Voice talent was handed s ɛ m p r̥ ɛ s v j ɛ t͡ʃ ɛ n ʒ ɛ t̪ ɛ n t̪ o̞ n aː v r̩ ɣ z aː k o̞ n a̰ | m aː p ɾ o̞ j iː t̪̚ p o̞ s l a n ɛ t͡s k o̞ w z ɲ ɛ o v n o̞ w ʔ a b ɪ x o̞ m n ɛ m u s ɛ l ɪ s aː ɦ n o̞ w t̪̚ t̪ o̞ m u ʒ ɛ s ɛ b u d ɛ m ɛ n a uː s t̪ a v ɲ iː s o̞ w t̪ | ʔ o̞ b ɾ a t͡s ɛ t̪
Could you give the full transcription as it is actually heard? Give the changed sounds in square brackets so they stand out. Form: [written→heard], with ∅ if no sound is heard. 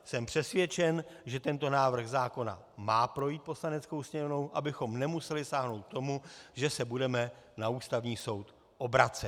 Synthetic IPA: s ɛ m p r̥ ɛ s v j ɛ t͡ʃ ɛ n ʒ ɛ t̪ ɛ n t̪ o̞ n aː v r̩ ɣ z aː k o̞ n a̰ | m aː p ɾ o̞ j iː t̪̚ p o̞ s l a n ɛ t͡s k o̞ w [z→s] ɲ ɛ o v n o̞ w ʔ a b ɪ x o̞ m n ɛ m u s ɛ l ɪ s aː ɦ n o̞ w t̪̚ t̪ o̞ m u ʒ ɛ s ɛ b u d ɛ m ɛ n a uː s t̪ a v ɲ iː s o̞ w t̪ | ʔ o̞ b ɾ a t͡s ɛ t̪